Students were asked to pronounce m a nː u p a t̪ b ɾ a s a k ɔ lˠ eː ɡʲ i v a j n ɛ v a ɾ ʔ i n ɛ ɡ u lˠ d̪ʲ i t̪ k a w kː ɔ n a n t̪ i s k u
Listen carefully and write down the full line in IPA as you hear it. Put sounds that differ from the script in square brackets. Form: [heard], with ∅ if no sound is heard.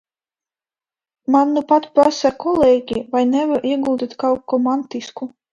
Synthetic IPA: m a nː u p a t̪ [p] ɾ a s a k ɔ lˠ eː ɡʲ i v a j n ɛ v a ɾ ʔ i [∅] ɛ ɡ u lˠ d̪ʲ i t̪ k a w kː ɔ [m] a n t̪ i s k u